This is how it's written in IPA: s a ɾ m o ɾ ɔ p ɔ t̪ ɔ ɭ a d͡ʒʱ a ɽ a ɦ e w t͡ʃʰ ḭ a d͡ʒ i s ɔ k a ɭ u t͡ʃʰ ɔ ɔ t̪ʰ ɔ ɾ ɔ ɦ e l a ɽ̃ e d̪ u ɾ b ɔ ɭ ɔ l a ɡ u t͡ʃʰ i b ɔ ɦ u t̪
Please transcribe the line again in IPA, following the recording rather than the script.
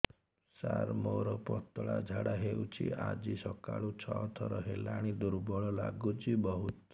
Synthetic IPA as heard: s a ɾ m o ɾ ɔ p ɔ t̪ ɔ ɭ a d͡ʒʱ a ɽ a ɦ e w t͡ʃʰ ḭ a d͡ʒ i s ɔ k a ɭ u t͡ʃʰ ɔ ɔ t̪ʰ ɔ ɾ ɔ ɦ e l a ɽ̃ i d̪ u ɾ b ɔ ɭ ɔ l a ɡ u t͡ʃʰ i b ɔ ɦ u t̪